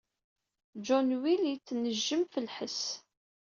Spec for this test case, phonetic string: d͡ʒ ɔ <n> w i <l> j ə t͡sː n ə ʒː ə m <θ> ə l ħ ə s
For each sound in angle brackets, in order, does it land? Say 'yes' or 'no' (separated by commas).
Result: yes, yes, no